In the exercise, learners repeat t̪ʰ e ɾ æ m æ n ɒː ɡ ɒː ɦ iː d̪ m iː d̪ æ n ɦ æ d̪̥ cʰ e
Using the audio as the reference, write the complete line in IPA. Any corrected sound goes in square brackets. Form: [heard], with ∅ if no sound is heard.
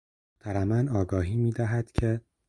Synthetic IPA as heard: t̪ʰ [æ] ɾ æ m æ n ɒː ɡ ɒː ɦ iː [∅] m iː d̪ æ [∅] ɦ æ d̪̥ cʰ e